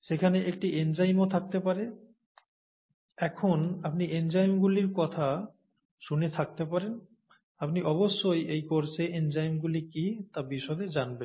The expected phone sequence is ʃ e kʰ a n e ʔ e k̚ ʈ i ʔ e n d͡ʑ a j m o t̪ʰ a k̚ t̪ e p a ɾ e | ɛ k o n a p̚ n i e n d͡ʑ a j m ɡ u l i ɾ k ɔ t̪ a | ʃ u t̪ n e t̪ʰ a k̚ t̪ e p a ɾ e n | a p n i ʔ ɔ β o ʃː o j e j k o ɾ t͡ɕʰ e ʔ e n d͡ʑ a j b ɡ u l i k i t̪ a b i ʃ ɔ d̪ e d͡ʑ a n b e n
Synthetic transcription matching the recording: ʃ e kʰ a n e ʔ e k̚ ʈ i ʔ e n d͡ʑ a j m o t̪ʰ a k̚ t̪ e p a ɾ e | ɛ kʰ o n a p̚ n i e n d͡ʑ a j m ɡ u l i ɾ k ɔ t̪ʰ a | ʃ u n e t̪ʰ a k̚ t̪ e p a ɾ e n | a p n i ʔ ɔ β o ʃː o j e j k o ɾ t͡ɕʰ e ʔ e n d͡ʑ a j m ɡ u l i k i t̪ a b i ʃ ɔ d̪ e d͡ʑ a n b e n